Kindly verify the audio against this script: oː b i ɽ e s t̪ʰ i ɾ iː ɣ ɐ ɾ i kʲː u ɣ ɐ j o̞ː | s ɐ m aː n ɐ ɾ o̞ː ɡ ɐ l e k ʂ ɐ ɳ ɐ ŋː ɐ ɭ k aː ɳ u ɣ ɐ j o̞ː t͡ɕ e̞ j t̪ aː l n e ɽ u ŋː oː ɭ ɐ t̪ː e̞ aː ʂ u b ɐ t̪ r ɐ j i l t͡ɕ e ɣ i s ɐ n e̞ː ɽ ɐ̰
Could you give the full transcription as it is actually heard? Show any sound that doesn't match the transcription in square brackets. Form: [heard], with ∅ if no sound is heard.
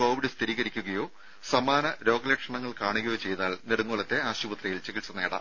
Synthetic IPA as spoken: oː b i ɽ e s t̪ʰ i ɾ iː ɣ ɐ ɾ i kʲː u ɣ ɐ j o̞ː | s ɐ m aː n ɐ ɾ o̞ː ɡ ɐ l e k ʂ ɐ ɳ ɐ ŋː ɐ ɭ k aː ɳ u ɣ ɐ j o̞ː t͡ɕ e̞ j t̪ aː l n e ɽ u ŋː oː ɭ ɐ t̪ː e̞ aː [ɕ] u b ɐ t̪ r ɐ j i l t͡ɕ e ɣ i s ɐ n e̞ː ɽ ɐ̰

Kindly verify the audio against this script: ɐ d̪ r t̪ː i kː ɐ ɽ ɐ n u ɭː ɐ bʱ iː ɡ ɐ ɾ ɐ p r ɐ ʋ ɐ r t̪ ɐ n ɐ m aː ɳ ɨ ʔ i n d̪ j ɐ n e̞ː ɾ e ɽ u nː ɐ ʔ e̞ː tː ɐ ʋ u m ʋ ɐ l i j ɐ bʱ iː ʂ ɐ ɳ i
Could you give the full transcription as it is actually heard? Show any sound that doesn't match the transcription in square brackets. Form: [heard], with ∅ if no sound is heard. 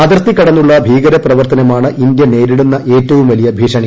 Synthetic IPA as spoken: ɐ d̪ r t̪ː i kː ɐ ɽ ɐ [nː] u ɭː ɐ bʱ iː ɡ ɐ ɾ ɐ p r ɐ ʋ ɐ r t̪ ɐ n ɐ m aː ɳ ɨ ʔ i n d̪ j ɐ n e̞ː ɾ [i] ɽ u nː ɐ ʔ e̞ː tː ɐ ʋ u m ʋ ɐ l i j ɐ bʱ iː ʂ ɐ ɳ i

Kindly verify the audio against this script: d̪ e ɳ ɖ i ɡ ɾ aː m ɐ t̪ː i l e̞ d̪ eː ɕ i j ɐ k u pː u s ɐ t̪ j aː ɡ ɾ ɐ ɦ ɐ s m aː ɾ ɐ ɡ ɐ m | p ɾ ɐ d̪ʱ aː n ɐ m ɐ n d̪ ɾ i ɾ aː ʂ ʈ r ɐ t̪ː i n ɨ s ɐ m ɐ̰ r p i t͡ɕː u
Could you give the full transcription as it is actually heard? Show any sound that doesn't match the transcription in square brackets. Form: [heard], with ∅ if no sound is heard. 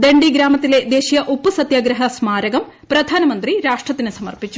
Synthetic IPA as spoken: d̪ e ɳ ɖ i ɡ ɾ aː m ɐ t̪ː i l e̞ d̪ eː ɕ i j ɐ [ʔ] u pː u s ɐ t̪ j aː ɡ ɾ ɐ ɦ ɐ s m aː ɾ ɐ ɡ ɐ m | p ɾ ɐ d̪ʱ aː n ɐ m ɐ n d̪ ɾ i ɾ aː ʂ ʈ r ɐ t̪ː i n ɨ s ɐ m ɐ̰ r p i t͡ɕː u

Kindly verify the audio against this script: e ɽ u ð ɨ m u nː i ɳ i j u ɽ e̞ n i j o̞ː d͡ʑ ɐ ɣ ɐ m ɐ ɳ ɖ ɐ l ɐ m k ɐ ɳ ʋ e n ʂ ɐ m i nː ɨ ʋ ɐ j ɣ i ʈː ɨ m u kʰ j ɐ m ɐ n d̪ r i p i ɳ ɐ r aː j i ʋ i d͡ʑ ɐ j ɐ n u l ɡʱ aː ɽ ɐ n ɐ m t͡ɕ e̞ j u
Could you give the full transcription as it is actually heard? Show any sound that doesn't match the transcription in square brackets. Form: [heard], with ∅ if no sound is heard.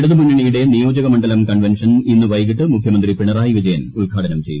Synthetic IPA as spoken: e ɽ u ð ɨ m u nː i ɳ i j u ɽ e̞ n i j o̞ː d͡ʑ ɐ ɣ ɐ m ɐ ɳ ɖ ɐ l ɐ m k ɐ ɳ ʋ e n ʂ ɐ [n] i nː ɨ ʋ ɐ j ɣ i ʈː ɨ m u kʰ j ɐ m ɐ n d̪ r i p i ɳ ɐ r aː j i ʋ i d͡ʑ ɐ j ɐ n u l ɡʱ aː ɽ ɐ n ɐ m t͡ɕ e̞ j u

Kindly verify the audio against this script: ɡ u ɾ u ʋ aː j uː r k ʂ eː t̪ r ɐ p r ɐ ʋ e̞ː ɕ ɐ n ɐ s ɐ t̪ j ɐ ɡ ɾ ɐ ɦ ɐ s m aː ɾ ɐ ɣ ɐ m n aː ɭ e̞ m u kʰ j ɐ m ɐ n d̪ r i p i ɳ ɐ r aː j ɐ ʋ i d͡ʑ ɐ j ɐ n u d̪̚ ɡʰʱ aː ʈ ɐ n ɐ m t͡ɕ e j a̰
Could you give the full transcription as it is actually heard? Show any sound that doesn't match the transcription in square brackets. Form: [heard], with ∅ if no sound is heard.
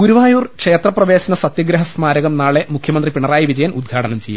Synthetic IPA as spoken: ɡ u ɾ u ʋ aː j uː r k ʂ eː t̪ r ɐ p r ɐ ʋ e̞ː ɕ ɐ n ɐ s ɐ t̪ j ɐ ɡ ɾ ɐ ɦ ɐ s m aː ɾ ɐ ɣ ɐ m n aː ɭ e̞ m u kʰ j ɐ m ɐ n d̪ r i p i ɳ ɐ r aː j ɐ ʋ i d͡ʑ ɐ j ɐ n u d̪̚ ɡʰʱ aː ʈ ɐ n ɐ m t͡ɕ e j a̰

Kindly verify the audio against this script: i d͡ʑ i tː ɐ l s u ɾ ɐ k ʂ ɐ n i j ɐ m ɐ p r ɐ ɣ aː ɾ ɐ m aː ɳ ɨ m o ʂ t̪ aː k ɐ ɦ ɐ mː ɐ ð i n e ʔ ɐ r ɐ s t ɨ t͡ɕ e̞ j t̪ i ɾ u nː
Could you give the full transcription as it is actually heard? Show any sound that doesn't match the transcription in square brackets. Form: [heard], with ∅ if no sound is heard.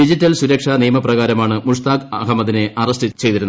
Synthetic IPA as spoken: i d͡ʑ i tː ɐ l s u ɾ ɐ k ʂ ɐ n i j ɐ m ɐ p r ɐ ɣ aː ɾ ɐ m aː ɳ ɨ m [u] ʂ t̪ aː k ɐ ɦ ɐ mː ɐ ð i n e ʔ ɐ r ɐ s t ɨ t͡ɕ e̞ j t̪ i ɾ u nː

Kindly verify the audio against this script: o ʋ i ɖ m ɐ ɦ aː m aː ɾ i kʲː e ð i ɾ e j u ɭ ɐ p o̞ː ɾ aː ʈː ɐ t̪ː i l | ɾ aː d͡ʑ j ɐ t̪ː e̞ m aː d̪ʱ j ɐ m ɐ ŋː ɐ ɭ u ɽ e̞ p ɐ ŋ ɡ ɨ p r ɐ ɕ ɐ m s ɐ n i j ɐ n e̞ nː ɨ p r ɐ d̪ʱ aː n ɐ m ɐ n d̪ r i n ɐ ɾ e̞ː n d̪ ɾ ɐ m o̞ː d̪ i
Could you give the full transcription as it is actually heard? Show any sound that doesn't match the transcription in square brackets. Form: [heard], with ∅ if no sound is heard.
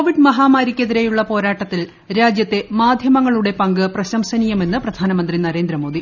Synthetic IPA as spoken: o ʋ i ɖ m ɐ ɦ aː m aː ɾ i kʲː e ð i ɾ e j u [ɭː] ɐ p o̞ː ɾ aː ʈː ɐ t̪ː i l | ɾ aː d͡ʑ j ɐ t̪ː e̞ m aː d̪ʱ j ɐ m ɐ ŋː ɐ ɭ u ɽ e̞ p ɐ ŋ ɡ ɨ p r ɐ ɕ ɐ m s ɐ n i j ɐ [m] e̞ nː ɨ p r ɐ d̪ʱ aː n ɐ m ɐ n d̪ r i n ɐ ɾ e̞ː n d̪ ɾ ɐ m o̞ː d̪ i

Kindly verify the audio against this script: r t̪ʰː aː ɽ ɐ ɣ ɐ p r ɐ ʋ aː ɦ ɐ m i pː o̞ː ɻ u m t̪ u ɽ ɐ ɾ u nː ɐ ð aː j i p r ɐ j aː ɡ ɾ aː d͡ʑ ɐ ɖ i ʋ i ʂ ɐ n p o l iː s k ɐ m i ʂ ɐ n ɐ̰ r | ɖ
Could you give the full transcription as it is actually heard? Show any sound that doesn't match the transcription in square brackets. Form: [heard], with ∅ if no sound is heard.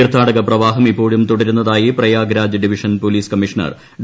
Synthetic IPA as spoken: r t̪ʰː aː ɽ ɐ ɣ ɐ p r ɐ ʋ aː ɦ ɐ m i pː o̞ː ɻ u m t̪ u ɽ ɐ ɾ u nː ɐ ð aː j i p r ɐ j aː ɡ ɾ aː d͡ʑ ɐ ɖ i ʋ i ʂ ɐ n p o l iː s k ɐ m i ʂ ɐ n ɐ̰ r | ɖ

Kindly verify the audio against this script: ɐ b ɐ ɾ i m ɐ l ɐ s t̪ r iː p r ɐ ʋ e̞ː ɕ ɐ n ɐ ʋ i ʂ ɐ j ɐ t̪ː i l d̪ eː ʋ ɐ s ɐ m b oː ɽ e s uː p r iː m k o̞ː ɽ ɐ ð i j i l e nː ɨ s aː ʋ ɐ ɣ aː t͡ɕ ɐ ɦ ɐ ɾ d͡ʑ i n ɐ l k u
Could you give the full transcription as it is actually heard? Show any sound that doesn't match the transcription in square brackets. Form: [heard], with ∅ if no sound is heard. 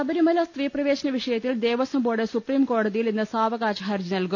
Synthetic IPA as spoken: ɐ b ɐ ɾ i m ɐ l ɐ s t̪ r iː p r ɐ ʋ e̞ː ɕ ɐ n ɐ ʋ i ʂ ɐ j ɐ t̪ː i l d̪ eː ʋ ɐ s ɐ m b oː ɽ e s [u] p r iː m k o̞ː ɽ ɐ ð i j i l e nː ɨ s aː ʋ ɐ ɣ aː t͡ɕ ɐ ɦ ɐ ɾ d͡ʑ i n ɐ l k u

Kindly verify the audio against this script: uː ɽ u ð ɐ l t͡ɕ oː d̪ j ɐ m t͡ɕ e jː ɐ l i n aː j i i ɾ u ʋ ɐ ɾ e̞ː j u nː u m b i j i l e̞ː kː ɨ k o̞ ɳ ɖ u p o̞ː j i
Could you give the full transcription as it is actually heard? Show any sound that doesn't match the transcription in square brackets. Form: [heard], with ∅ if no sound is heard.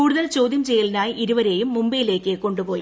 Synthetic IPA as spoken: uː ɽ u ð ɐ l t͡ɕ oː d̪ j ɐ m t͡ɕ e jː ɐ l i n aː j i i ɾ u ʋ ɐ ɾ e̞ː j u [mː] u m b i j i l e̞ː kː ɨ k o̞ ɳ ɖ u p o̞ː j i

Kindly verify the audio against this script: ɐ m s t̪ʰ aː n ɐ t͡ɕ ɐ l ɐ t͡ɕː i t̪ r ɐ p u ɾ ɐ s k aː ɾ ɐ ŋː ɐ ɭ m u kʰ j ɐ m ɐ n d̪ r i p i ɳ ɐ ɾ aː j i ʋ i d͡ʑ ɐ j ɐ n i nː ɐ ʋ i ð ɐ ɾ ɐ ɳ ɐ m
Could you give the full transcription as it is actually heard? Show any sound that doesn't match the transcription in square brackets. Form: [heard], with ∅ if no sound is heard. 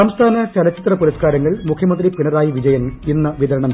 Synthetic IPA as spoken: ɐ m s t̪ʰ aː n ɐ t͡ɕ ɐ l ɐ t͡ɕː i t̪ r ɐ p u ɾ ɐ s k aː ɾ ɐ ŋː ɐ ɭ m u kʰ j ɐ m ɐ n d̪ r i p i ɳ ɐ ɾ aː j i ʋ i d͡ʑ ɐ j ɐ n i nː ɐ ʋ i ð ɐ ɾ ɐ ɳ ɐ m

